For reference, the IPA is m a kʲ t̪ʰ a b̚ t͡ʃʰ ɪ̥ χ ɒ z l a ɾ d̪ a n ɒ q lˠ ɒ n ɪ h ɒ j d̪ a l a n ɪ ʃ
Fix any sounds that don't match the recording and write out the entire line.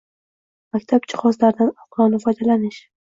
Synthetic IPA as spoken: m a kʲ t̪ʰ a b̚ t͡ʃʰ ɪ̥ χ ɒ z l a ɾ d̪ a n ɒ q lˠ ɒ n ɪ f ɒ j d̪ a l a n ɪ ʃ